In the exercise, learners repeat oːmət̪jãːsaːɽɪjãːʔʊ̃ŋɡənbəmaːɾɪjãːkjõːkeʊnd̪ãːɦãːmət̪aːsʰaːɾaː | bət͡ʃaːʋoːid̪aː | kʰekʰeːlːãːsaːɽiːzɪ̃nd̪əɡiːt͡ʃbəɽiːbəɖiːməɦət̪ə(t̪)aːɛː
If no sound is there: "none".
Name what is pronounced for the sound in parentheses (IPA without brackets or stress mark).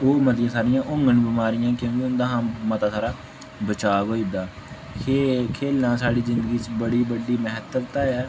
t̪